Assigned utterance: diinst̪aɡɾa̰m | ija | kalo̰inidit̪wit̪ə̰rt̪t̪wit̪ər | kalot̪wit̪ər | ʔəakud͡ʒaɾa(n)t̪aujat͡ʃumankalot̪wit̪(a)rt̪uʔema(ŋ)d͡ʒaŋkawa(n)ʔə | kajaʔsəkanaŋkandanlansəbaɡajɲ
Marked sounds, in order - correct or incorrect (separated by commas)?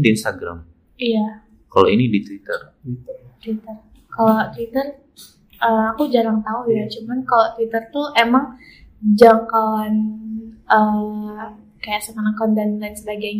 incorrect, incorrect, correct, correct